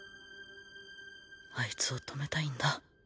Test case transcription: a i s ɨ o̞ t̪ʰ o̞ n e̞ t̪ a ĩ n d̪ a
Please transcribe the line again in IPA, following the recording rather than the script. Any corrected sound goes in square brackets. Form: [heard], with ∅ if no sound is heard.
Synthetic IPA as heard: a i [t͡s] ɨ o̞ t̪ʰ o̞ [m] e̞ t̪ a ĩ n d̪ a